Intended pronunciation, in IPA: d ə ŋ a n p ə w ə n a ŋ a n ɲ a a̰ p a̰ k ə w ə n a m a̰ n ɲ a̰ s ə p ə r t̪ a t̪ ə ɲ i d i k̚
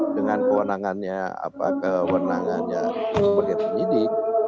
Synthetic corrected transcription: d ə ŋ a n k ə w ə n a ŋ a n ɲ a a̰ p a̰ k ə w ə n a ŋ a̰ n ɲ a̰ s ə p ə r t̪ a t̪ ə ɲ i d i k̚